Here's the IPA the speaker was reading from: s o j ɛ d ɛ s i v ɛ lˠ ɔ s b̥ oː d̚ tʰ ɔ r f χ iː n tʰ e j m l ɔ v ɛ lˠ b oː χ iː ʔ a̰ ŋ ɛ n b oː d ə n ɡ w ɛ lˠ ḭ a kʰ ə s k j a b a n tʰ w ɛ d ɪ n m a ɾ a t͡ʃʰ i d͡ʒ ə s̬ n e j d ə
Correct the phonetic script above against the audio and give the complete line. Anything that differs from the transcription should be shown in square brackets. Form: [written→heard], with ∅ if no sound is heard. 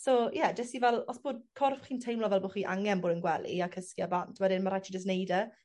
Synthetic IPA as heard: s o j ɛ d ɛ s i v ɛ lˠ ɔ s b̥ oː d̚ [tʰ→kʰ] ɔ r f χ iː n tʰ e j m l ɔ v ɛ lˠ b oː χ iː ʔ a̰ ŋ ɛ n b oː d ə n ɡ w ɛ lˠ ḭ a kʰ ə s k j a b a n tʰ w ɛ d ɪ n m a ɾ a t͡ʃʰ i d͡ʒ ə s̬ n e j d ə

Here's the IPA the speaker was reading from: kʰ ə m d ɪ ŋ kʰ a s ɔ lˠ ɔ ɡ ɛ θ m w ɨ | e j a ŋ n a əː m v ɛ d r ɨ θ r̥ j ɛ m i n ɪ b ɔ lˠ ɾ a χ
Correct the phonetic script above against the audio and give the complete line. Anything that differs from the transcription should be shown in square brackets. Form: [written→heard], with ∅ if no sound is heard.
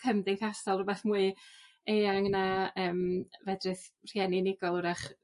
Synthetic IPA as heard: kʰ ə m d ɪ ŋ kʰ a s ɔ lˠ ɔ [ɡ→b] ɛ θ m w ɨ | e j a ŋ n a əː m v ɛ d r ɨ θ r̥ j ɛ [m→n] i n ɪ [b→ɡ] ɔ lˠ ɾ a χ

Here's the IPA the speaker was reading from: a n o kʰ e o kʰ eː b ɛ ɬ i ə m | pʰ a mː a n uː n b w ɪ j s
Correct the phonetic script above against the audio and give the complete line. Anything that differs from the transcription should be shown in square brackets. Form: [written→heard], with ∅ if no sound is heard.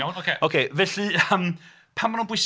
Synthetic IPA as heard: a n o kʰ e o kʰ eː [b→v] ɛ ɬ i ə m | pʰ a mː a n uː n b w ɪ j s

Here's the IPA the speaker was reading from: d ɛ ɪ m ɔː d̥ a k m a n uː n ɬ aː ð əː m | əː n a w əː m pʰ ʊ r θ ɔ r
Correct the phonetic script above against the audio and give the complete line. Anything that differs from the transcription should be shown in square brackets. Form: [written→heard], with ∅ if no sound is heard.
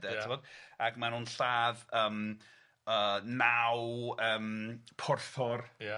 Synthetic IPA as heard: d ɛ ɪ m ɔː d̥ a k m a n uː n ɬ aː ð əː m | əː n a w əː m pʰ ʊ r θ ɔ r

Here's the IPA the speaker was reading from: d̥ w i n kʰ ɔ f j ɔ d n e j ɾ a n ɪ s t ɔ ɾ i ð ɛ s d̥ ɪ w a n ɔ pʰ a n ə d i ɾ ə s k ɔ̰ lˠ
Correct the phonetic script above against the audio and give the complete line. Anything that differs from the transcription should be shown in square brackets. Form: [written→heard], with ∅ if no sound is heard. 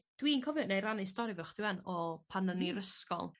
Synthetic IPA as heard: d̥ w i n kʰ ɔ [f→v] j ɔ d n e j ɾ a n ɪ s t ɔ ɾ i [ð→v] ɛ [s→χ] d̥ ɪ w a n ɔ pʰ a n ə [d→n] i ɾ ə s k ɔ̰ lˠ

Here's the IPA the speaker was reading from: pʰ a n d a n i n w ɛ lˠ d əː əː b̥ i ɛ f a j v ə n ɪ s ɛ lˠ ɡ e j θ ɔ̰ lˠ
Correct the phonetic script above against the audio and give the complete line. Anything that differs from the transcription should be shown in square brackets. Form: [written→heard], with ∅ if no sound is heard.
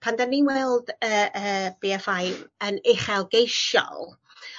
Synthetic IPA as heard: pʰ a n d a n i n w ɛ lˠ d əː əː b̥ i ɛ f a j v ə n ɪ [s→χ] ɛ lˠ ɡ e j [θ→ʃ] ɔ̰ lˠ

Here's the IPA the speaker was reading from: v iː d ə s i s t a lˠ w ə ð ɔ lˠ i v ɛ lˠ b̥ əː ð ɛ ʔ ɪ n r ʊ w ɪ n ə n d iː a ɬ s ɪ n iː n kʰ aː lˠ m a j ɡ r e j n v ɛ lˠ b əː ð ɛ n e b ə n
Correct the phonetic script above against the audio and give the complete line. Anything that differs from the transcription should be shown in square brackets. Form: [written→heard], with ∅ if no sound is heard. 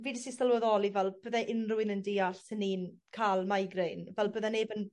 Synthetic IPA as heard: v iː d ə s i s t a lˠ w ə ð ɔ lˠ i v ɛ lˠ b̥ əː ð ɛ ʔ ɪ n r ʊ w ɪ n ə n d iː a ɬ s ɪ n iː n kʰ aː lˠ m a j ɡ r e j n v ɛ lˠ b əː ð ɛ n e b ə n

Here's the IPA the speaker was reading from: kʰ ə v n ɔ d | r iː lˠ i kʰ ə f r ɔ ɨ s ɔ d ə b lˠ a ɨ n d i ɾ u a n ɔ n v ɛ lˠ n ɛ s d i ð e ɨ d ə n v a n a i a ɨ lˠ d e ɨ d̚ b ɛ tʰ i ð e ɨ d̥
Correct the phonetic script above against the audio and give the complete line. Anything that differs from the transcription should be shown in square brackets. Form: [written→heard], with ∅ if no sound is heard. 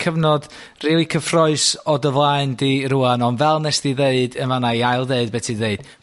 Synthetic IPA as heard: kʰ ə v n ɔ d | r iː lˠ i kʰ ə f r ɔ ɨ s ɔ d ə [b→v] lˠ a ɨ n d i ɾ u a n ɔ n v ɛ lˠ n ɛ s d i ð e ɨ d ə n v a n a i a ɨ lˠ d e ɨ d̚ b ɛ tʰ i ð e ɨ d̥

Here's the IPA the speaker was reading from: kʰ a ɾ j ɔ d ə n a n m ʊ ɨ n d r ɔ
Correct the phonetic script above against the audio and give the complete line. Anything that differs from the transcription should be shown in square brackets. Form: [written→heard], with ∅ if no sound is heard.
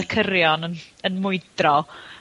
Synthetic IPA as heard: kʰ [a→ə] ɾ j ɔ [d→n] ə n [a→ə] n m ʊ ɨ [n→∅] d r ɔ

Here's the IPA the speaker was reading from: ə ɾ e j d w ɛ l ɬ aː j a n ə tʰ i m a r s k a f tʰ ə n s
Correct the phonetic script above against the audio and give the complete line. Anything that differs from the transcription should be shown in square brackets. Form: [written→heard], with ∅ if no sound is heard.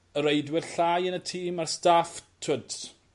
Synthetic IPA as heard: ə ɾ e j d w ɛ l ɬ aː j [a→ə] n ə tʰ [i→iː] m a r s [k→t] a f tʰ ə [n→d] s

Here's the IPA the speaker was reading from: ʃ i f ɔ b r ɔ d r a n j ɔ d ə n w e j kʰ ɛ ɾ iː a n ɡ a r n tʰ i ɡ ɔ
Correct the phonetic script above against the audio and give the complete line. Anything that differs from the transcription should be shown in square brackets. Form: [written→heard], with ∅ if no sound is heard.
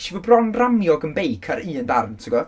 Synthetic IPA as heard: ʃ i [f→v] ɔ b r ɔ [d→n] r a [n→m] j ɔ [d→ɡ] ə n [w→b] e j kʰ [ɛ→a] ɾ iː [a→ə] n [ɡ→d] a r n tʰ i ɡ ɔ

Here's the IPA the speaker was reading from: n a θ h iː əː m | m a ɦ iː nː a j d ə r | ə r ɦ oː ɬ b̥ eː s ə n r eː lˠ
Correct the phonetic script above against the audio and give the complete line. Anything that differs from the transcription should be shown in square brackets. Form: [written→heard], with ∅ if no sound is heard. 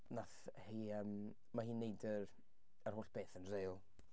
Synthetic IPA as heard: n a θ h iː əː m | m a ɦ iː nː [a→e] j d ə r | ə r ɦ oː ɬ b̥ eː [s→θ] ə n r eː lˠ

